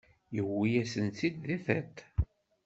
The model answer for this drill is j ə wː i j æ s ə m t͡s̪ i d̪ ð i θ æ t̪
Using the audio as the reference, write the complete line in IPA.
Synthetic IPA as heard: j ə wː i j æ s ə n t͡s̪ i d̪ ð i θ æ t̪